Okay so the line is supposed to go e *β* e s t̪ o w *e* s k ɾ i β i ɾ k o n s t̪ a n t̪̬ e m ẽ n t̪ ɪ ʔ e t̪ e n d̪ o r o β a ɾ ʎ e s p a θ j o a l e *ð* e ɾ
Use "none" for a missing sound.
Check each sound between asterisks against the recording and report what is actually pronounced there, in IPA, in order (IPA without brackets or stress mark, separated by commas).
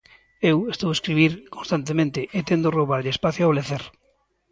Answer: w, e, θ